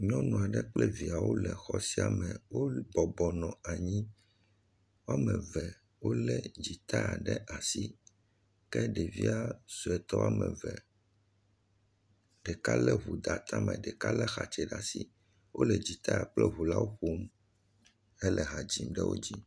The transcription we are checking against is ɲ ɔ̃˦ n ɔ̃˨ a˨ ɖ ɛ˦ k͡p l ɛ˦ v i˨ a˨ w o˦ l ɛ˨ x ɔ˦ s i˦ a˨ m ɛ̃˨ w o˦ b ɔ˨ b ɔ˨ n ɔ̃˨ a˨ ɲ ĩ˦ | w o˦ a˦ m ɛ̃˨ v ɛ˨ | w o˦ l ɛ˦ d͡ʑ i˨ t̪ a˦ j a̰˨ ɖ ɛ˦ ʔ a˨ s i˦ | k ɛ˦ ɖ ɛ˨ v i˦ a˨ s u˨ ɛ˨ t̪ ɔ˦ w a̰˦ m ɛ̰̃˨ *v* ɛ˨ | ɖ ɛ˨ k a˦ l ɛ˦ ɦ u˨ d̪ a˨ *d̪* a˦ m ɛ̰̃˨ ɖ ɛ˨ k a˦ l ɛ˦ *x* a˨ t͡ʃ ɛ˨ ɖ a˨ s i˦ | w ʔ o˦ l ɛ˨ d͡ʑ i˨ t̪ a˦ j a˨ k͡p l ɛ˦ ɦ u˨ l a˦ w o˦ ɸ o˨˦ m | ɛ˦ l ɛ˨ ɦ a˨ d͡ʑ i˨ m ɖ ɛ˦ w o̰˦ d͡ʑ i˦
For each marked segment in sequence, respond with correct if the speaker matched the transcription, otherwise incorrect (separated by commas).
correct, incorrect, correct